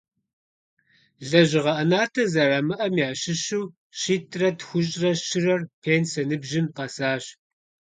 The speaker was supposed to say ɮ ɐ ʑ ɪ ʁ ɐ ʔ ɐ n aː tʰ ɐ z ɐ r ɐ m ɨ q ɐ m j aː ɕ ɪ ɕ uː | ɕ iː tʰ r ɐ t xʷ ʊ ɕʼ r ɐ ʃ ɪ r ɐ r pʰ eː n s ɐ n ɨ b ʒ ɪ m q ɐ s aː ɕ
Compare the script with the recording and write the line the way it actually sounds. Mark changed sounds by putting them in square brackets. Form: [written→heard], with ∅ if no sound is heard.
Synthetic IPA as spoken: ɮ ɐ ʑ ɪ ʁ ɐ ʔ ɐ n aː tʰ ɐ z ɐ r ɐ m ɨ [q→ʔ] ɐ m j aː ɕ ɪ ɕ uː | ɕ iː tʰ r ɐ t xʷ ʊ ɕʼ r ɐ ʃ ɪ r ɐ r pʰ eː n s ɐ n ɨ b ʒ ɪ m q ɐ s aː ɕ

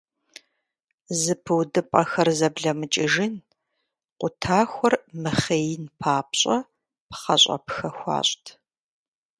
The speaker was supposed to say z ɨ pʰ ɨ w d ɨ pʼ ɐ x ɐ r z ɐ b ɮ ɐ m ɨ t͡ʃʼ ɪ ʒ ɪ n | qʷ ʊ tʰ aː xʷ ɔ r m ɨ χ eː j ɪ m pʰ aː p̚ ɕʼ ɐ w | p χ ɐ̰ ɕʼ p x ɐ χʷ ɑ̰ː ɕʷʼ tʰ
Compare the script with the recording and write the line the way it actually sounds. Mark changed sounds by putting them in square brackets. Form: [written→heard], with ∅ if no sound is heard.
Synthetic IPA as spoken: z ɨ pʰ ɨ w d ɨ pʼ ɐ x ɐ r z ɐ b ɮ ɐ m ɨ t͡ʃʼ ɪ ʒ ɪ n | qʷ ʊ tʰ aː xʷ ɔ r m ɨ χ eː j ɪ [m→n] pʰ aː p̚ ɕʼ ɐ [w→∅] | p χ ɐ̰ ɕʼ p x ɐ [χʷ→xʷ] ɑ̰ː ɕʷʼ tʰ

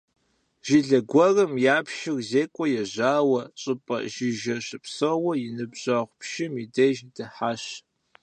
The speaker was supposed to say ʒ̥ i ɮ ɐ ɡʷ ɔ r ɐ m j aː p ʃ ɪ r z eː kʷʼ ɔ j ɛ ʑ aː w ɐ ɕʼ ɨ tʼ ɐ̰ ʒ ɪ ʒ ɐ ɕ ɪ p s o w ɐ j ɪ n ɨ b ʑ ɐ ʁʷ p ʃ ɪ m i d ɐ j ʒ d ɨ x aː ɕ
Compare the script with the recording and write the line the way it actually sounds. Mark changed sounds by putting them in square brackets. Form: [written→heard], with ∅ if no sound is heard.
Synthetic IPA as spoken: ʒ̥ i ɮ ɐ ɡʷ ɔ r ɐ m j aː p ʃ ɪ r z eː kʷʼ ɔ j ɛ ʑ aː w ɐ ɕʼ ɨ [tʼ→pʼ] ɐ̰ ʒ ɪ ʒ ɐ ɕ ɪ p s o w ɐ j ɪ n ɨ b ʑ ɐ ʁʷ p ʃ ɪ m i d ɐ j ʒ d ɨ [x→ħ] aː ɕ

